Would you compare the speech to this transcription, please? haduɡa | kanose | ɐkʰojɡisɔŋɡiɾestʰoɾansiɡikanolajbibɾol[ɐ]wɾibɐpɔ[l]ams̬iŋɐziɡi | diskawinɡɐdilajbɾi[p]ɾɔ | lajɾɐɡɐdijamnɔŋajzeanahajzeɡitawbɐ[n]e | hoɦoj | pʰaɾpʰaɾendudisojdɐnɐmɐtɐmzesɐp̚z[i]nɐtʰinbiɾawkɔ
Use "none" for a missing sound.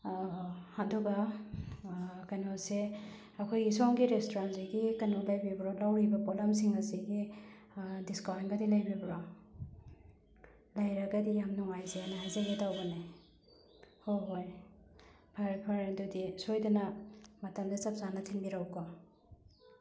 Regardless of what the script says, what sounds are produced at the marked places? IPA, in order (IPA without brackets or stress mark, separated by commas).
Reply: a, l, b, n, a